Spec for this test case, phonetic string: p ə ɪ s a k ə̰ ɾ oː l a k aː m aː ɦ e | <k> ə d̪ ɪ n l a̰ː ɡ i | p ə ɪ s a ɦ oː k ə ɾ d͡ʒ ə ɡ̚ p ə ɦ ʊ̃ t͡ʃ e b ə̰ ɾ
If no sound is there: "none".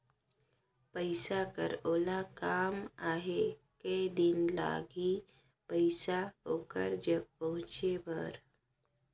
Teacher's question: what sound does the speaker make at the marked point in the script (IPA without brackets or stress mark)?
k